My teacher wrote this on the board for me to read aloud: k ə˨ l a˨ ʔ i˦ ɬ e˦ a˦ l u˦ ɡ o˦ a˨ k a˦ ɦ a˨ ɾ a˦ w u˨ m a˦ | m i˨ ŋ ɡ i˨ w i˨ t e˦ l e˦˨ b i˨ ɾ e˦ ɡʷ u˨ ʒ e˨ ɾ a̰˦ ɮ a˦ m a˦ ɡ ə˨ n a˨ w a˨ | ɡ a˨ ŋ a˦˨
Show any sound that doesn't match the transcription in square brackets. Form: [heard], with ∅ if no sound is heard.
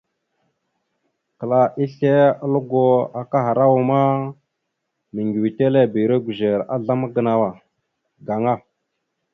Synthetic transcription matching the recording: k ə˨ l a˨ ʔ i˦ ɬ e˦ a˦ l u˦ ɡ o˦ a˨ k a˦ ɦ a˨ ɾ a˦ w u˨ m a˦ | m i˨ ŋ ɡ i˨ w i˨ t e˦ l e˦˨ b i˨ ɾ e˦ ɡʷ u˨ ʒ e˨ ɾ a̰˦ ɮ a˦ m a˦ ɡ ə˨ n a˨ w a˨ | ɡ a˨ ŋ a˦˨